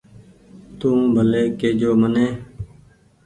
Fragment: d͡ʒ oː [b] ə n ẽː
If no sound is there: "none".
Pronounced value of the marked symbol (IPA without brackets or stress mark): m